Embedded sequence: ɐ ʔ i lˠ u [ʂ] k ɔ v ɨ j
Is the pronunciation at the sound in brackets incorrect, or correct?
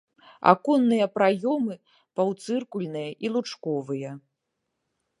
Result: incorrect